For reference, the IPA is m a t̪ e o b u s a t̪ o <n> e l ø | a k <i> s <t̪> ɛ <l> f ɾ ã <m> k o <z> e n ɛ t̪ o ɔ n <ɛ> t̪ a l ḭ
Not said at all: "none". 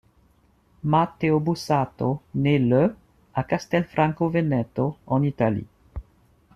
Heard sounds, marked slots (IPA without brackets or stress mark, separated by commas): n, a, t̪, l, ŋ, v, i